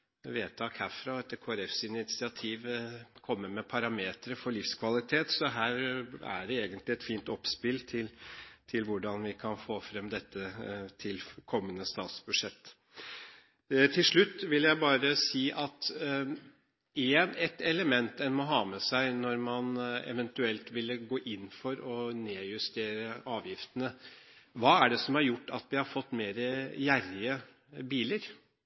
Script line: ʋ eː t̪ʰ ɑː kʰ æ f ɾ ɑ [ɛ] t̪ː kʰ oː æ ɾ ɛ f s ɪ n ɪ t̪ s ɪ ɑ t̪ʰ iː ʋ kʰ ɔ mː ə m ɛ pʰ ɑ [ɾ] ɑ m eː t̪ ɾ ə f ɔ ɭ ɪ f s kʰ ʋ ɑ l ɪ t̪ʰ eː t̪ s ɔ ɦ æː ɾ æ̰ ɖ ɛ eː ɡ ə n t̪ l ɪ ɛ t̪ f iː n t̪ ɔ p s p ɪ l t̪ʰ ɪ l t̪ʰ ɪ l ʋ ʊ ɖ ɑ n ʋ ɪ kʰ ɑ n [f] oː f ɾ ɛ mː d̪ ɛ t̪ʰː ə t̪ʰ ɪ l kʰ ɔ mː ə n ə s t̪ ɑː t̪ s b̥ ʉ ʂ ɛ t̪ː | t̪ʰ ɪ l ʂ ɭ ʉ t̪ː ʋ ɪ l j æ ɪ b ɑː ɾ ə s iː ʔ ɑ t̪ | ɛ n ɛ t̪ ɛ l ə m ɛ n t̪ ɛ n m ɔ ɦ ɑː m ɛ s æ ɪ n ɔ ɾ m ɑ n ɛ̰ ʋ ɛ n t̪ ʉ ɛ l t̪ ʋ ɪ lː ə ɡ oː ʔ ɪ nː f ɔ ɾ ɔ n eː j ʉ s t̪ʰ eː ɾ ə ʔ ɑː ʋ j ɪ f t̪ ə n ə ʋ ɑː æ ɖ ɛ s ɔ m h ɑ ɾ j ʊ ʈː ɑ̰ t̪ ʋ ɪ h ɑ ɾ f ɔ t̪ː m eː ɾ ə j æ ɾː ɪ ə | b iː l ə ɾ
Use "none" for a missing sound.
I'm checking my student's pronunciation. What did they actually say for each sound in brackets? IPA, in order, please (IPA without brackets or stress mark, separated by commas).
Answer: ɛ, ɾ, f